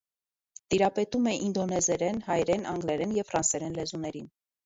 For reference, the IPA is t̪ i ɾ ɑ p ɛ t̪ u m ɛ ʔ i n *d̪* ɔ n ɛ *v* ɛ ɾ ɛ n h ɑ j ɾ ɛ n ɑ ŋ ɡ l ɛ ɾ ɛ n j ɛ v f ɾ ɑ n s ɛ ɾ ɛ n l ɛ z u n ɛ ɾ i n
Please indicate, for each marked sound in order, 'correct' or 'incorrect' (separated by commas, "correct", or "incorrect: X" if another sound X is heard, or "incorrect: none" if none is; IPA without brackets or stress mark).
correct, incorrect: z